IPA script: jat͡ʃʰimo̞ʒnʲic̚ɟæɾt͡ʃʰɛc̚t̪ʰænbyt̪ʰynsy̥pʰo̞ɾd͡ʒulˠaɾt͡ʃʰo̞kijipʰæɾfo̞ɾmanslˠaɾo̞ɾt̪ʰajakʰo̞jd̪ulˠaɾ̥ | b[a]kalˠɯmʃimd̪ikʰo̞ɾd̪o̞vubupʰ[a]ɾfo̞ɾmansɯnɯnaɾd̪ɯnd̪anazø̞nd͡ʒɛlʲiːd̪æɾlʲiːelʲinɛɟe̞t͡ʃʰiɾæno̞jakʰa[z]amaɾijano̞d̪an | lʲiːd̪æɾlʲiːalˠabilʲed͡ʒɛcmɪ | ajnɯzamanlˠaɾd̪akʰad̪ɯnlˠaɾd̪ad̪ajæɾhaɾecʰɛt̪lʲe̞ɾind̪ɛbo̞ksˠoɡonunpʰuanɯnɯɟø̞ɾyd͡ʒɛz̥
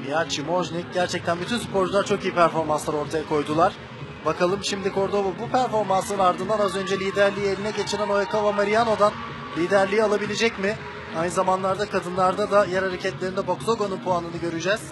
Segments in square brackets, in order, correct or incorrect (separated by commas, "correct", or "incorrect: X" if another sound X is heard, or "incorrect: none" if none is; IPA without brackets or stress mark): correct, incorrect: æ, incorrect: v